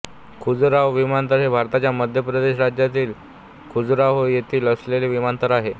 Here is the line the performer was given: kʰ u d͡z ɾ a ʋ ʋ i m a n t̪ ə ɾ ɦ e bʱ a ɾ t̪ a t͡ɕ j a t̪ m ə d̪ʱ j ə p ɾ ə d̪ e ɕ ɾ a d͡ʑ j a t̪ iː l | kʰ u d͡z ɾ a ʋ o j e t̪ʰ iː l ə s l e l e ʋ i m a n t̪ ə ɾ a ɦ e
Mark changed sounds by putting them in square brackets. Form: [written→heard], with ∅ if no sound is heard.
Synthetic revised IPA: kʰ u d͡z ɾ a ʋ ʋ i m a n t̪ ə ɾ ɦ e bʱ a ɾ t̪ a t͡ɕ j a [t̪→∅] m ə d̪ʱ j ə p ɾ ə d̪ e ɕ ɾ a d͡ʑ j a t̪ iː l | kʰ u d͡z ɾ a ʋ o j e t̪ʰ iː l ə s l e l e ʋ i m a n t̪ ə ɾ a ɦ e